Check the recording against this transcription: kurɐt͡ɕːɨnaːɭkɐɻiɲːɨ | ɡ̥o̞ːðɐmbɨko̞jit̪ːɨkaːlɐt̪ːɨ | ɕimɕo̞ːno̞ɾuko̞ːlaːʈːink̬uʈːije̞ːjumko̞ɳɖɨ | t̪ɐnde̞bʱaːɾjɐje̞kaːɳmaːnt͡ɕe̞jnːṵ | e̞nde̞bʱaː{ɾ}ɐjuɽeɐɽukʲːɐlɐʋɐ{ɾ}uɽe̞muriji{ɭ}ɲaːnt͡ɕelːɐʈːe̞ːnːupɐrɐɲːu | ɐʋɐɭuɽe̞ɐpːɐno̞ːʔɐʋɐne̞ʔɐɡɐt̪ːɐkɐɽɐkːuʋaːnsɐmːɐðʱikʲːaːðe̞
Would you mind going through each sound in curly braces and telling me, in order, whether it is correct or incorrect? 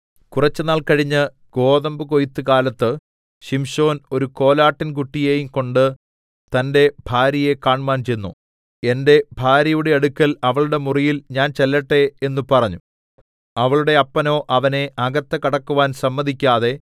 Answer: correct, incorrect, incorrect

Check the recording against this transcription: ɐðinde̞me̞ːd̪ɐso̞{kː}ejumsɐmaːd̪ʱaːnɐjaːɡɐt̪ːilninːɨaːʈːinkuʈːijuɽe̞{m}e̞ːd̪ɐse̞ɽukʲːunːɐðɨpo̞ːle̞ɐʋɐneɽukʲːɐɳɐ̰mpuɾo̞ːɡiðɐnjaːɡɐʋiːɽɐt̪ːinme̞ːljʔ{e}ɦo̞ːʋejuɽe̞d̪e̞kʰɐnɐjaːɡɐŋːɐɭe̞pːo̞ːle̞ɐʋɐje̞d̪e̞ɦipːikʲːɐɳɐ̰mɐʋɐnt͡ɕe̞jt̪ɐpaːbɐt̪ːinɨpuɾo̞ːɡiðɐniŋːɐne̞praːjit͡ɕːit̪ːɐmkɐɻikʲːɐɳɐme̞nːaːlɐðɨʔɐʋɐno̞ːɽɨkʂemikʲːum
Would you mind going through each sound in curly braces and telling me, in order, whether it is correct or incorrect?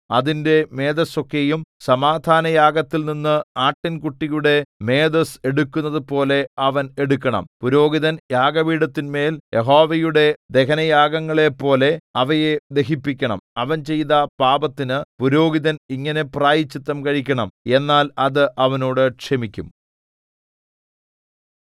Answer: correct, correct, correct

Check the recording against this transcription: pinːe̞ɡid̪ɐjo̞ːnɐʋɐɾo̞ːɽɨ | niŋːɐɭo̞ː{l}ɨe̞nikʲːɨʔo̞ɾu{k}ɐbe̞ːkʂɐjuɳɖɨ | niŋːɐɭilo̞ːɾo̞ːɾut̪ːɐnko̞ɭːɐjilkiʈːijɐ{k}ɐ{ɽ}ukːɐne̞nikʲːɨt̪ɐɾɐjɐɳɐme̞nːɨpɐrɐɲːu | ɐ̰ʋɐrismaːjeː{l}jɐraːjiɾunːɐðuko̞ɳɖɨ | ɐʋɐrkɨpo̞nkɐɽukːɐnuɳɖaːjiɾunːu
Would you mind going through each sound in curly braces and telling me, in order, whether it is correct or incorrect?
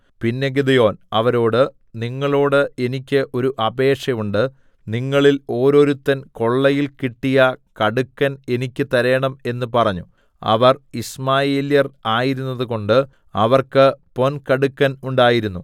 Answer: incorrect, incorrect, correct, correct, correct

